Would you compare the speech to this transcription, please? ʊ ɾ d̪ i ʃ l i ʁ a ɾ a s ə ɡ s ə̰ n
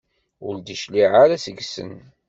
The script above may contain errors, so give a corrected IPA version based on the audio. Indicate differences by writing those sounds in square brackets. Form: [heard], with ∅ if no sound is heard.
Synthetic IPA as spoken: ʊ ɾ d̪ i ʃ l i [ʕ] a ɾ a s ə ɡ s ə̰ n